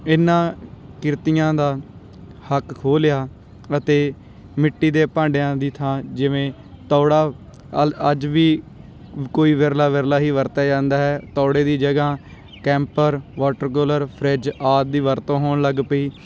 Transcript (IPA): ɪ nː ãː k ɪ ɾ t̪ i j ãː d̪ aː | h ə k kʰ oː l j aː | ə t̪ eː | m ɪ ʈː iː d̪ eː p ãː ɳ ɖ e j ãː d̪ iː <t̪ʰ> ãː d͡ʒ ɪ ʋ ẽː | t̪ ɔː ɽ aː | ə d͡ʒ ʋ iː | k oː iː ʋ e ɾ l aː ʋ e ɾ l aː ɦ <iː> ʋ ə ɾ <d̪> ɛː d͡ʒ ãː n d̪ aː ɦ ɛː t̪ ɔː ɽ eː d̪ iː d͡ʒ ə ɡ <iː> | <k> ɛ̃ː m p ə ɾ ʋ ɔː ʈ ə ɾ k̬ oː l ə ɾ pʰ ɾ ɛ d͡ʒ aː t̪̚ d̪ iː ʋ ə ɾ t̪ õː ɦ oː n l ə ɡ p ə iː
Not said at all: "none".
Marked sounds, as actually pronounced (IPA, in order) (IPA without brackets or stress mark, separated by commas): t̪ʰ, iː, t̪, aː, k